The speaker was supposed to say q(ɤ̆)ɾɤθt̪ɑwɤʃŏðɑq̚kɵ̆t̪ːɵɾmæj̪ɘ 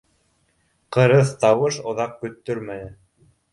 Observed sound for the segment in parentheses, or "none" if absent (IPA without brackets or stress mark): ɤ̆